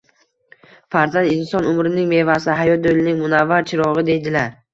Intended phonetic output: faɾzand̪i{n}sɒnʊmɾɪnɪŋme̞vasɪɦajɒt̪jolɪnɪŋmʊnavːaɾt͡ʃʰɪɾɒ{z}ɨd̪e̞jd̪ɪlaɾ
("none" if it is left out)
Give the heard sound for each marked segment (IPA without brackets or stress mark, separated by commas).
n, ʁ